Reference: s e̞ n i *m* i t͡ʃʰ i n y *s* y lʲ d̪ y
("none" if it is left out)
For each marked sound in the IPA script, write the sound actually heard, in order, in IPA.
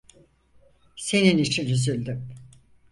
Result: n, z

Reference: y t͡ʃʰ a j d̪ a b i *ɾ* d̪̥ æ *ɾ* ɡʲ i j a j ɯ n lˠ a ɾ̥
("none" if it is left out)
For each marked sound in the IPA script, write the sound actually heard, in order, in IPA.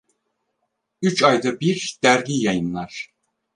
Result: ɾ, ɾ

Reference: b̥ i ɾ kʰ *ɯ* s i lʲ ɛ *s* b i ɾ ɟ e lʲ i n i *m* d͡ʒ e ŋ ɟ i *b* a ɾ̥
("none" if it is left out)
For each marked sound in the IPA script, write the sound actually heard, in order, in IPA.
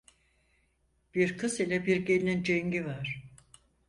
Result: ɯ, none, n, v

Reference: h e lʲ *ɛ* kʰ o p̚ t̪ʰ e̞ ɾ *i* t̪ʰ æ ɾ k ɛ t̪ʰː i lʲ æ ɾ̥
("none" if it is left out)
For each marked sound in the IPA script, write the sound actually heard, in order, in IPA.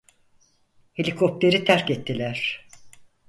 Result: i, i

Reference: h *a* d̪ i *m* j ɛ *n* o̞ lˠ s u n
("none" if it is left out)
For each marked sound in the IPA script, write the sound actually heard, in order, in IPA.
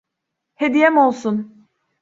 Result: e, none, m

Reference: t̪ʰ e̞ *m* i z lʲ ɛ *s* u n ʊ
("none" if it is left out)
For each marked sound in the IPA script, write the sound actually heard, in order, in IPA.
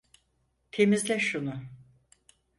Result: m, ʃ

